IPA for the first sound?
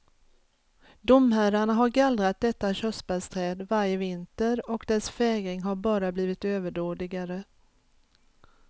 d̪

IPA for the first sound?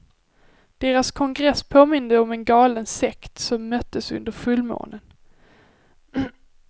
d̪̥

